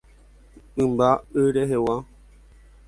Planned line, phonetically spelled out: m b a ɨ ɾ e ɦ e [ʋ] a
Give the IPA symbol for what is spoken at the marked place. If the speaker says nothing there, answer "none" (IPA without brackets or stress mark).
w